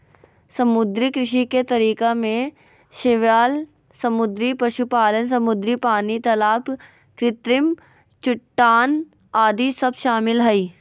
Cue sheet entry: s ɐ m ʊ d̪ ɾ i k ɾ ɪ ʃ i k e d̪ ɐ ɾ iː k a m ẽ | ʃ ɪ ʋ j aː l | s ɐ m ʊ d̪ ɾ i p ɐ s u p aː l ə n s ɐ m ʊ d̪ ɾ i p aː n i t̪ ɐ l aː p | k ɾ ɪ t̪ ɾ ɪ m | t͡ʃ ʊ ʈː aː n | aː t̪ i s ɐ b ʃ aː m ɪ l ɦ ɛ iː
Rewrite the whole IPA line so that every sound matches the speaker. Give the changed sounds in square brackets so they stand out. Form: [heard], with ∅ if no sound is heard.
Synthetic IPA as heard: s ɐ m ʊ d̪ ɾ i k ɾ ɪ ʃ i k e [t̪] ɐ ɾ iː k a m ẽ | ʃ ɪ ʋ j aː l | s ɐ m ʊ d̪ ɾ i p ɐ [ʃ] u p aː l ə n s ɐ m ʊ d̪ ɾ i p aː n i t̪ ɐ l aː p | k ɾ ɪ t̪ ɾ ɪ m | t͡ʃ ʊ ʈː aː n | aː [d̪] i s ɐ b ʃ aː m ɪ l ɦ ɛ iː